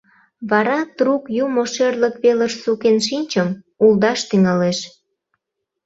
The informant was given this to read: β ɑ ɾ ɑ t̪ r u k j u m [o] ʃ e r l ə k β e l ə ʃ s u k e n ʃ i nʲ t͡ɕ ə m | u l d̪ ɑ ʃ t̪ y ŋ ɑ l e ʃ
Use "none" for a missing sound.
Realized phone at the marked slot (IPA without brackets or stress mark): o